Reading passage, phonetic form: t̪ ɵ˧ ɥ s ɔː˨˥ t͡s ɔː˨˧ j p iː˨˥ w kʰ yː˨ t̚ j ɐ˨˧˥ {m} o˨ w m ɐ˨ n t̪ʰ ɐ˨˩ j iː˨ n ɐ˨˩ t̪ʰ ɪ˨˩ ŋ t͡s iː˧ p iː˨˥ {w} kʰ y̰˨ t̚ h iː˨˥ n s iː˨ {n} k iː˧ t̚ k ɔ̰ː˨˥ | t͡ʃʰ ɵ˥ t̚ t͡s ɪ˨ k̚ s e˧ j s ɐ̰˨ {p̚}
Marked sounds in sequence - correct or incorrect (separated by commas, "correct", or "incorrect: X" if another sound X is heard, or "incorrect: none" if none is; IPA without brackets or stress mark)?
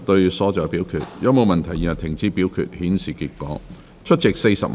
correct, correct, incorrect: none, correct